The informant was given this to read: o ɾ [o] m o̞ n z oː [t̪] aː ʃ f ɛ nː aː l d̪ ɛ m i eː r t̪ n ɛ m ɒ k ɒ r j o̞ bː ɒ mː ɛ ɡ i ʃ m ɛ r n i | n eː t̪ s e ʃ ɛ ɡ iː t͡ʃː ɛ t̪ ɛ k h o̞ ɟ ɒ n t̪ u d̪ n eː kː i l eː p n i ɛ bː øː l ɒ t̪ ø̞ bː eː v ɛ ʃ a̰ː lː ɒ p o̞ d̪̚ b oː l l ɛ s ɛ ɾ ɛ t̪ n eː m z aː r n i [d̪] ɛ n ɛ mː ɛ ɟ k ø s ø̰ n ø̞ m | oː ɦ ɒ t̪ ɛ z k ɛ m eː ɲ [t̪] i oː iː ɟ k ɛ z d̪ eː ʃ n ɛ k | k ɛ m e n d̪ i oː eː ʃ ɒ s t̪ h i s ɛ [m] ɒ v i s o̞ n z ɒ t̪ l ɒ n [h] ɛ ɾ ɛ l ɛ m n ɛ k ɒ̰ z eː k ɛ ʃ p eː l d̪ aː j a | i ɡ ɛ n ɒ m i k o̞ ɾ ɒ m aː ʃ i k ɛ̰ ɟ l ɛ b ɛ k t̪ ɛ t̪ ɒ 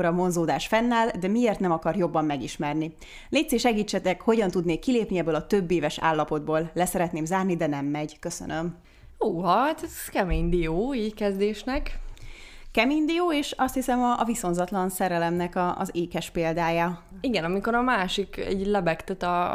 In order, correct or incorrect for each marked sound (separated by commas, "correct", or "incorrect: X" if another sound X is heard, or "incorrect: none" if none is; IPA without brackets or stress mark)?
incorrect: ɒ, incorrect: d̪, correct, incorrect: d̪, correct, incorrect: s